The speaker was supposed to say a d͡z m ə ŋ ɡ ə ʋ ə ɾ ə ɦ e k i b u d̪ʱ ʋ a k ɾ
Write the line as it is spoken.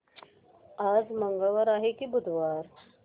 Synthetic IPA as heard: a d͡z m ə ŋ ɡ ə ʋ ə ɾ a ɦ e k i b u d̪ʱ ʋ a ɾ